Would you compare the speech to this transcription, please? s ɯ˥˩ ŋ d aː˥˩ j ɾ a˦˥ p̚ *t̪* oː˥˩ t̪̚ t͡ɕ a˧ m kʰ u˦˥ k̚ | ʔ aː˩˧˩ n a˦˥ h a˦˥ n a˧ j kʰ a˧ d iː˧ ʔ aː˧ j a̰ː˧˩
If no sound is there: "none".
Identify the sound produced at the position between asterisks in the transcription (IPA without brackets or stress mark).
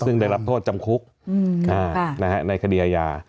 t̪ʰ